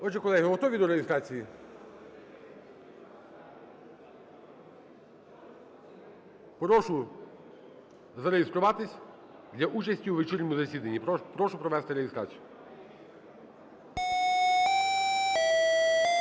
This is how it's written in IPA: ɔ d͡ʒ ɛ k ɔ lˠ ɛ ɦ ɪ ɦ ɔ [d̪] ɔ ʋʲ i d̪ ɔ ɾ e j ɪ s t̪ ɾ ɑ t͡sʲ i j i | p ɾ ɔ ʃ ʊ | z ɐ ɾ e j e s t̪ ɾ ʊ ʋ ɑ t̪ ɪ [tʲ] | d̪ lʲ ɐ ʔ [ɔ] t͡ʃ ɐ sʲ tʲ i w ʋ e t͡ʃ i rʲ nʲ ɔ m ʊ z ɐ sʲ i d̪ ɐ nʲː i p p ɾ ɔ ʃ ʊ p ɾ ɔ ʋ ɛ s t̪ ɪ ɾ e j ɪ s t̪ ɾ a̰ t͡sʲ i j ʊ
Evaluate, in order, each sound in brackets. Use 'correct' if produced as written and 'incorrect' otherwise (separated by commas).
incorrect, incorrect, incorrect